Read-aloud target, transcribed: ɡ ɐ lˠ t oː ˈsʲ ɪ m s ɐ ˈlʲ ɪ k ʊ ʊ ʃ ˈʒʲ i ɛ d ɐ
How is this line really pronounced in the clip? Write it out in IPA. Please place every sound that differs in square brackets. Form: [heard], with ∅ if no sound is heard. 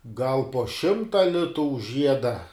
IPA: ɡ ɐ lˠ [p] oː [ˈʃʲ] ɪ m [t] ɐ ˈlʲ ɪ [t] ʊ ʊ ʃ ˈʒʲ i ɛ d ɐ